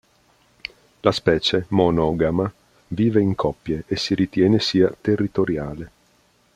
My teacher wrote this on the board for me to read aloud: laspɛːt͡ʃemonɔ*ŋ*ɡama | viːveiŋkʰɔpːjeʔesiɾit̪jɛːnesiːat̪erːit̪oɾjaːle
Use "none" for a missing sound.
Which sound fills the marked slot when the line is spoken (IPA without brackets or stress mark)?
none